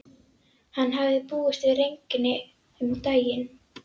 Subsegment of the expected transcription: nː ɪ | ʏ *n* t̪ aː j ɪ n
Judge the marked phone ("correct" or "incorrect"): incorrect